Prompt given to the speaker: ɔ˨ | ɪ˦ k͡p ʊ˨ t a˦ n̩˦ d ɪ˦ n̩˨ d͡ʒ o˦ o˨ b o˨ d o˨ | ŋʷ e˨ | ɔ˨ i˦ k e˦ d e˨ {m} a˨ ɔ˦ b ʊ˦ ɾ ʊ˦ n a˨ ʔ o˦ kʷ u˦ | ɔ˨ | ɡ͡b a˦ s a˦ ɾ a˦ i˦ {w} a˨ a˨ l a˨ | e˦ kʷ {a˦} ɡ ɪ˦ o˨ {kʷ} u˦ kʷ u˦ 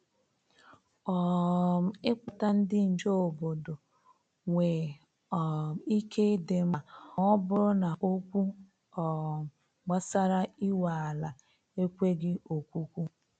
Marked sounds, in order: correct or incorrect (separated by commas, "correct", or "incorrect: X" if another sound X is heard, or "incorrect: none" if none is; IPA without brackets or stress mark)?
correct, correct, incorrect: e˦, correct